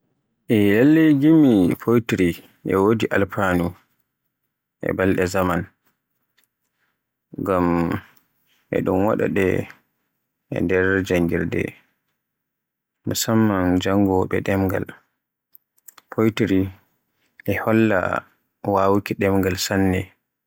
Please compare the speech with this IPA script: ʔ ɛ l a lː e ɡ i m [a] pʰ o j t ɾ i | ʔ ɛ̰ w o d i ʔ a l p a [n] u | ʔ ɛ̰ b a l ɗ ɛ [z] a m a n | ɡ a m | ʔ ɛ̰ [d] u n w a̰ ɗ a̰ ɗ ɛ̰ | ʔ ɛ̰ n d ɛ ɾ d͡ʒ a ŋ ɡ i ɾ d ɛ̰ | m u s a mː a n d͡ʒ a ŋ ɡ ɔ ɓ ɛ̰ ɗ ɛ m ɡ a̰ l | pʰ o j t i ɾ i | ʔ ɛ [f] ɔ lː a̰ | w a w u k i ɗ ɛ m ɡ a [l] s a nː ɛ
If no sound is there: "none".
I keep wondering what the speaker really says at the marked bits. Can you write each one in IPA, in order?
i, n, z, ɗ, h, l

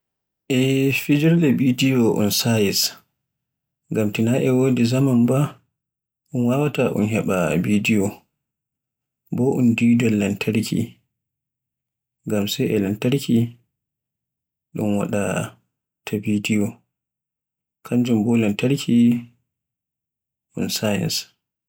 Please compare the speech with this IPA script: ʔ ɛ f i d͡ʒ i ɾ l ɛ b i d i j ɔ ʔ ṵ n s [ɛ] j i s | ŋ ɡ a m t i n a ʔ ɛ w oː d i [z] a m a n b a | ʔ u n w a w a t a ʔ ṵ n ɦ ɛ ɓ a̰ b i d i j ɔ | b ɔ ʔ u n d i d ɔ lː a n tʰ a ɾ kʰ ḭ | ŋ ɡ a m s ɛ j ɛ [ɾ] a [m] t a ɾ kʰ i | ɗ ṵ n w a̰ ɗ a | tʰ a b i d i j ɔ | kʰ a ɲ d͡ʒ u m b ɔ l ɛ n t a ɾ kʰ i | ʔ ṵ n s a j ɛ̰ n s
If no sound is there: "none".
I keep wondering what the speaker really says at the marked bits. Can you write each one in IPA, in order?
a, z, l, n

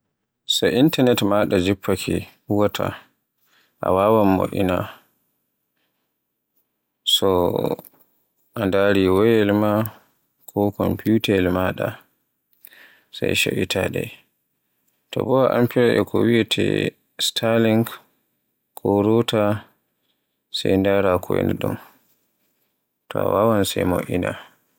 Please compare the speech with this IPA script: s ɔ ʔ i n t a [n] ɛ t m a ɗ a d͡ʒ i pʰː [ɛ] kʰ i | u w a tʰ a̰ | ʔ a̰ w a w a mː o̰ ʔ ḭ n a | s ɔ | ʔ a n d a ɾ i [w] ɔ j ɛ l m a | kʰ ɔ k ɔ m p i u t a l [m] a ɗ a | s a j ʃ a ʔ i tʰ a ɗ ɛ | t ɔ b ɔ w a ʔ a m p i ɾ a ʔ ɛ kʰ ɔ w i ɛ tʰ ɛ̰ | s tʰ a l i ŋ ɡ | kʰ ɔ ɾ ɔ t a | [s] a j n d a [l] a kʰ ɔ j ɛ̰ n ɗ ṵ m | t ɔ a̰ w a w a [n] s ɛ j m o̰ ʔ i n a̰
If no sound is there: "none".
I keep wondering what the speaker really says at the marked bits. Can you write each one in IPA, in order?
n, a, w, m, s, ɾ, n

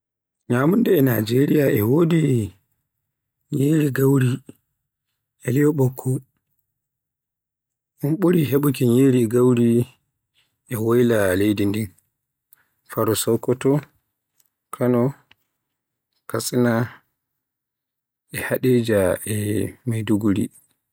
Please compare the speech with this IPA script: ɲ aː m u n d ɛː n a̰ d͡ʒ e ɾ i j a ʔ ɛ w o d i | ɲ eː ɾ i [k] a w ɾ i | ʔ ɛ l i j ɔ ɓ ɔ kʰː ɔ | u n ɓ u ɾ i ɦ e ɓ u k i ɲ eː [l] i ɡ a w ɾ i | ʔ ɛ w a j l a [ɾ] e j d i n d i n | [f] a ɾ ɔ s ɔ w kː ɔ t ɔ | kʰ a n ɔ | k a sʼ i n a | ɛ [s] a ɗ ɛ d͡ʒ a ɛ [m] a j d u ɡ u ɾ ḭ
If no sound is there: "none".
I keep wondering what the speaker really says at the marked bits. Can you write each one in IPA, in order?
ɡ, ɾ, l, f, h, m

